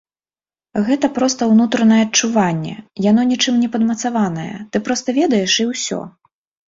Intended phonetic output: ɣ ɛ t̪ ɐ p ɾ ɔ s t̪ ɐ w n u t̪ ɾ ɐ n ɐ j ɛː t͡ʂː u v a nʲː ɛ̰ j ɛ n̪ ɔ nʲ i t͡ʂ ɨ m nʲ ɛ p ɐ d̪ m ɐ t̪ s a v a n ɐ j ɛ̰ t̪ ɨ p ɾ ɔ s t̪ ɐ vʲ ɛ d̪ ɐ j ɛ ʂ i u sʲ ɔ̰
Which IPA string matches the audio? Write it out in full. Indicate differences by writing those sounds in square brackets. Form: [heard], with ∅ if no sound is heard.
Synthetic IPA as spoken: ɣ ɛ t̪ ɐ p ɾ ɔ s t̪ ɐ w n u t̪ ɾ ɐ n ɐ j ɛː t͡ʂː u v a nʲː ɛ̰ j [a] n̪ ɔ nʲ i t͡ʂ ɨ m nʲ ɛ p ɐ d̪ m ɐ t̪ s a v a n ɐ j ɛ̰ t̪ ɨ p ɾ ɔ s t̪ ɐ vʲ ɛ d̪ ɐ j ɛ ʂ i [w] sʲ ɔ̰